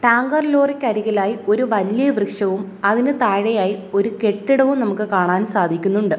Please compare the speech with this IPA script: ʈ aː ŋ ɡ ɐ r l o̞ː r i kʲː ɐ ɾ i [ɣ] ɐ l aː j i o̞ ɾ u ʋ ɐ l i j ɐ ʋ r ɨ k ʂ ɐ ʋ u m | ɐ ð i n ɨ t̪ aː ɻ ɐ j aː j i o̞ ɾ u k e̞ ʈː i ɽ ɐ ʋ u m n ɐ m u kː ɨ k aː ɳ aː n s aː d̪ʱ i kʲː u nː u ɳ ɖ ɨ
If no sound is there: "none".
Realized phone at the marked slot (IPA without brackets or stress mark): ɣ